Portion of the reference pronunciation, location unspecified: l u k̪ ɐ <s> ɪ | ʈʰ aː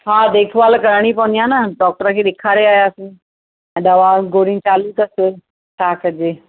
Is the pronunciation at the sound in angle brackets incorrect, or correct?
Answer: correct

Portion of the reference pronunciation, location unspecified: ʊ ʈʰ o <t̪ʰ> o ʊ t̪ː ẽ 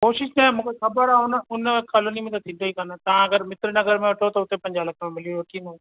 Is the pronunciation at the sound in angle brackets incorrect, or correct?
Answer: incorrect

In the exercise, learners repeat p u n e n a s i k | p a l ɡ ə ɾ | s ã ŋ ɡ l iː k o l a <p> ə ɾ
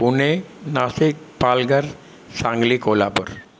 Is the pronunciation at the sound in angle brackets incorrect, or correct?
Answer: correct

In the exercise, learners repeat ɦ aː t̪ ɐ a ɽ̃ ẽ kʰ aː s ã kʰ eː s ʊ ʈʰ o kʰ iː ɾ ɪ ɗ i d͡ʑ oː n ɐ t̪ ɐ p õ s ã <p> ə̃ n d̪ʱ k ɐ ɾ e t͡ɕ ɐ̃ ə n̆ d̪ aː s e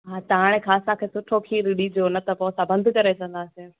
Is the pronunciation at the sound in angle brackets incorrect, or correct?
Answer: incorrect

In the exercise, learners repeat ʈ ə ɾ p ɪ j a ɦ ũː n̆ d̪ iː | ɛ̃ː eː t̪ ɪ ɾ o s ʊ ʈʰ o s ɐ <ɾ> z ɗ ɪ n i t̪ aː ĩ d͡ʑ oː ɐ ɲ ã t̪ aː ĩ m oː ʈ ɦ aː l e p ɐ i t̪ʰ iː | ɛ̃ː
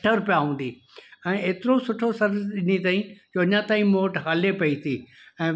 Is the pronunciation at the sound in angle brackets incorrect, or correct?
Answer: correct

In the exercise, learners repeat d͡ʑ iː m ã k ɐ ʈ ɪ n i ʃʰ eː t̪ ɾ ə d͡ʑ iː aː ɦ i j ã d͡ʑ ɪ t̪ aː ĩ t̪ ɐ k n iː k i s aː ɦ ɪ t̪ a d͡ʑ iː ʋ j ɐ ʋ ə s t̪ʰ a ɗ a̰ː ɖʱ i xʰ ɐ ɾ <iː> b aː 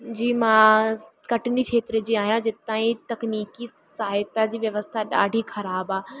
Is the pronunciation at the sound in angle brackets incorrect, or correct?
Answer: incorrect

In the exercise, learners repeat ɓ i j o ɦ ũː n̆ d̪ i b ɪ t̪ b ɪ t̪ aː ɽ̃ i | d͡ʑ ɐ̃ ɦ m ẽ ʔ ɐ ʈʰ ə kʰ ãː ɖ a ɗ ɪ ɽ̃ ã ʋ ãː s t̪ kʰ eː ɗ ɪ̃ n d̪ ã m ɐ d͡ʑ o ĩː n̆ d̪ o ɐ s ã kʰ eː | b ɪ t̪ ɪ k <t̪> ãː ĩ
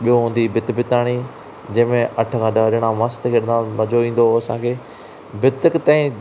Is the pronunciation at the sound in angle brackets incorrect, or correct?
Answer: correct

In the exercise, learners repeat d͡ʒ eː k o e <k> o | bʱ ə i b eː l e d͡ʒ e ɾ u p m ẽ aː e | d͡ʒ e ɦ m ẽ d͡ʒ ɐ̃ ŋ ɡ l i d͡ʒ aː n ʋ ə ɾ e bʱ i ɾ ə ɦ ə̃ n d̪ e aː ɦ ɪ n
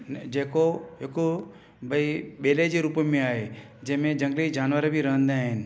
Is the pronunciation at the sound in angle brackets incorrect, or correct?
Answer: correct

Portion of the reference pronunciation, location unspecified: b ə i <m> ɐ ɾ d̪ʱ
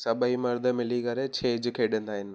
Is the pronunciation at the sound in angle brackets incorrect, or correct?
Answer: correct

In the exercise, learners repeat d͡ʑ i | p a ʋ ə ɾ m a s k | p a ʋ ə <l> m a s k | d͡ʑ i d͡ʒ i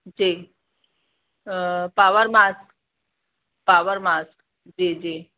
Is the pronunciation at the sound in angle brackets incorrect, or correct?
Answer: incorrect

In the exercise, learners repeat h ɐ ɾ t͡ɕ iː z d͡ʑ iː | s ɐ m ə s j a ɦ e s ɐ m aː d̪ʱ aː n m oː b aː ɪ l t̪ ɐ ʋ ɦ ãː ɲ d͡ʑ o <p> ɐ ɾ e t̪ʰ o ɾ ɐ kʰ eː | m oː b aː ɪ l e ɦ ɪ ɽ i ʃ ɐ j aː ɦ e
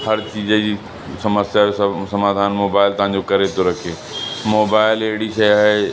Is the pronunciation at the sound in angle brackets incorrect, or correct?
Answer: incorrect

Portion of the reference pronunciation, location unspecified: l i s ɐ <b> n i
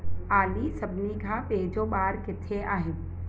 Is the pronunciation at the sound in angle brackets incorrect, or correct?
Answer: correct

